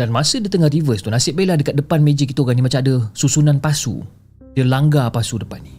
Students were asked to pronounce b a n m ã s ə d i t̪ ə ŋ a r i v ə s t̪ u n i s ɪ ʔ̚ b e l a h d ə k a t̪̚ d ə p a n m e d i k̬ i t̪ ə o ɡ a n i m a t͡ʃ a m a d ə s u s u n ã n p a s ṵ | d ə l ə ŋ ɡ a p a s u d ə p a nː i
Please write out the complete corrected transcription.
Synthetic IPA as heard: d a n m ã s ə d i t̪ ə ŋ a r i v ə s t̪ u n a s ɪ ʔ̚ b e l a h d ə k a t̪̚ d ə p a n m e d͡ʒ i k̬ i t̪ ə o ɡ a n i m a t͡ʃ a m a d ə s u s u n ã n p a s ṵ | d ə l a ŋ ɡ a p a s u d ə p a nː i